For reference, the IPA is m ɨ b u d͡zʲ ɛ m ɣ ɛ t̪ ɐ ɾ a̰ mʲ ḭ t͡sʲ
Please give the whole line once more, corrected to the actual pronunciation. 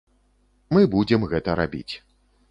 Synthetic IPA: m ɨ b u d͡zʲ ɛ m ɣ ɛ t̪ ɐ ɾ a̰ bʲ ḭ t͡sʲ

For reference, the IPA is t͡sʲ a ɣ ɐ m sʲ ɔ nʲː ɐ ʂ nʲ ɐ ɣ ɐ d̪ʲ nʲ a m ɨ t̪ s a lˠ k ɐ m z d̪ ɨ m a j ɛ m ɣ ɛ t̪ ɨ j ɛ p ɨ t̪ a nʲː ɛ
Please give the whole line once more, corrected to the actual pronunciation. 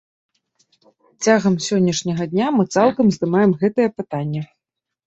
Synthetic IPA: t͡sʲ a ɣ ɐ m sʲ ɔ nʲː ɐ ʂ nʲ ɐ ɣ ɐ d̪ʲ nʲ a m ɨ t̪ s a lˠ k ɐ m z d̪ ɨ m a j ɛ m ɣ ɛ t̪ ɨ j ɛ p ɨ t̪ a nʲː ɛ

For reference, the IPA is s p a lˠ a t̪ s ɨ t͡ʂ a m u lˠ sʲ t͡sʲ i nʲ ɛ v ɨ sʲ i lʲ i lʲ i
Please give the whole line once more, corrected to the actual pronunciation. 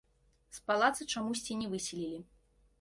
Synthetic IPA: s p a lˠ a t̪ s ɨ t͡ʂ a m u sʲ t͡sʲ i nʲ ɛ v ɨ sʲ i lʲ i lʲ i

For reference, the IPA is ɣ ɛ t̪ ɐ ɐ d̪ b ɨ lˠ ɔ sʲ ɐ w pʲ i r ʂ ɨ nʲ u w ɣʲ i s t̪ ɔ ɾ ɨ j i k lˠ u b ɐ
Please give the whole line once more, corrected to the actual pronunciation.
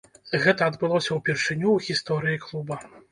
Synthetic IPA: ɣ ɛ t̪ ɐ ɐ d̪ b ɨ lˠ ɔ sʲ ɐ w pʲ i r ʂ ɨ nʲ u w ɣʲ i s t̪ ɔ ɾ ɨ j i k lˠ u b ɐ

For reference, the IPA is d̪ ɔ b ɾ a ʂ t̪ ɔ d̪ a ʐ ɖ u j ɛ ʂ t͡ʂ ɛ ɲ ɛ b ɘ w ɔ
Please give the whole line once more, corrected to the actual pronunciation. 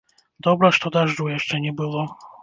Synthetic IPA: d̪ ɔ b ɾ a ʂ t̪ ɔ d̪ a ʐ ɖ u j ɛ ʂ t͡ʂ ɛ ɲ ɛ b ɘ w ɔ

